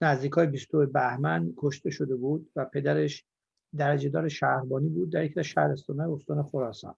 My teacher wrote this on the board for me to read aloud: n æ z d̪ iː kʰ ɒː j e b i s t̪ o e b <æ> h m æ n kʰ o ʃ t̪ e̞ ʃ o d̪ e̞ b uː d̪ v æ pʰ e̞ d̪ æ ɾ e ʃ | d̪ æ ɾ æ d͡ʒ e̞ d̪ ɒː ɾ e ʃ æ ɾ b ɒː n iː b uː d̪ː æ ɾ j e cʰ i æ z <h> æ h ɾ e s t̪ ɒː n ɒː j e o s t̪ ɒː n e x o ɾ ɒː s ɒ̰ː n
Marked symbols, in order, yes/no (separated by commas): yes, no